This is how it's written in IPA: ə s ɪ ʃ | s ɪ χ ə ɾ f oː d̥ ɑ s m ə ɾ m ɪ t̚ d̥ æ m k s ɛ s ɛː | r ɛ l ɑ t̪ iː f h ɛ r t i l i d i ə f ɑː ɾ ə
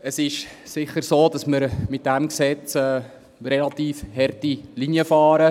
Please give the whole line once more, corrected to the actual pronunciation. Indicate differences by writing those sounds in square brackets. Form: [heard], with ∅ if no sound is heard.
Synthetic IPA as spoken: ə s ɪ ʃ | s ɪ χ ə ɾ [s] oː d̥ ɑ s m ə ɾ m ɪ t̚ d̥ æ m k s ɛ [t͡s] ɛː | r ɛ l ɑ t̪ iː f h ɛ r t i l i [n] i ə f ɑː ɾ ə